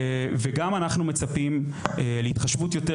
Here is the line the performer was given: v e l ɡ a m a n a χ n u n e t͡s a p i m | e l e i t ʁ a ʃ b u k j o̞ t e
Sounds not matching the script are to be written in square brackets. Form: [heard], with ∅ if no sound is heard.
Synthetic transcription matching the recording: v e [∅] ɡ a m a n a χ n u [m] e t͡s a p i m | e l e i t [χ] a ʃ [v] u [t] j o̞ t e